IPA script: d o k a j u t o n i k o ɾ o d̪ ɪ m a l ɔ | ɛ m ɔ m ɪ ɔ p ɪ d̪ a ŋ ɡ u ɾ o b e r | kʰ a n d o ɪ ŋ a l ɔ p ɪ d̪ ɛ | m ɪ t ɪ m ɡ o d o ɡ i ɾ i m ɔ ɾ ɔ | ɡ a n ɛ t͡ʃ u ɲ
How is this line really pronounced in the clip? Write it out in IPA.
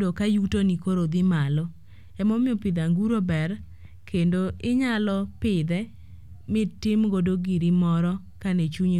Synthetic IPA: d o k a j u t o n i k o ɾ o d̪ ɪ m a l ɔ | ɛ m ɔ m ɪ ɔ p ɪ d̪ a ŋ ɡ u ɾ o b ɛ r | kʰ e n d o ɪ ɲ a l ɔ p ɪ d̪ ɛ | m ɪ t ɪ m ɡ o d o ɡ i ɾ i m ɔ ɾ ɔ | k a n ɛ t͡ʃ u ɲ